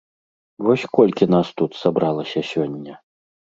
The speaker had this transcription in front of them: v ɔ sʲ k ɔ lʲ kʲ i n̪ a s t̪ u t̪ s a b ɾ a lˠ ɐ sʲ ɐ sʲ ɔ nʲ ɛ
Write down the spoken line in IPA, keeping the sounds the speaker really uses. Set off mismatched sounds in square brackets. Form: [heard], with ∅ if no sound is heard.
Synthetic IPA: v ɔ sʲ k ɔ lʲ kʲ i n̪ a s t̪ u t̪ s a b ɾ a lˠ ɐ sʲ ɐ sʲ ɔ [nʲː] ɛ